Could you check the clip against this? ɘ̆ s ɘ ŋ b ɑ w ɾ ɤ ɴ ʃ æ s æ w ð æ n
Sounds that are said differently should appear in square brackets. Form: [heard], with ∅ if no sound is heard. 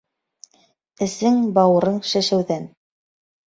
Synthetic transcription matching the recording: ɘ̆ s ɘ ŋ b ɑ w ɾ ɤ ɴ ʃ æ [ʃ] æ w ð æ n